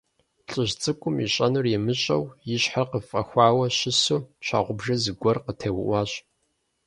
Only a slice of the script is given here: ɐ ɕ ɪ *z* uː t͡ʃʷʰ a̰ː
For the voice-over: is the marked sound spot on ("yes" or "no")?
no